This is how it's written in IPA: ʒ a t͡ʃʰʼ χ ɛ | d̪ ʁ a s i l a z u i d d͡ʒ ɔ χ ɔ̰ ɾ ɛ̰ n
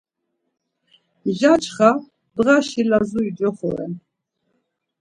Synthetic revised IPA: ʒ a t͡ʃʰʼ χ a | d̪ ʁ a ʃ i l a z u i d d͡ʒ ɔ χ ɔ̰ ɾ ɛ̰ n